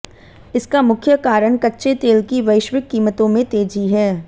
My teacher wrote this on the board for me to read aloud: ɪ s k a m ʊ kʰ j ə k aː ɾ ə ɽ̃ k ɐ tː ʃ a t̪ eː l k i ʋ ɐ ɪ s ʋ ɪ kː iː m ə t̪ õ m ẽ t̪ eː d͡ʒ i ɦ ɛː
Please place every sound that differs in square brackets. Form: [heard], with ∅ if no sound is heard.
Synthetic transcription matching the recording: ɪ s k a m ʊ kʰ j ə k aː ɾ ə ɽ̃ k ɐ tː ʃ [e] t̪ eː l k i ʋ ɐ ɪ [ʃ] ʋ ɪ kː iː m ə t̪ õ m ẽ t̪ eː d͡ʒ i ɦ ɛː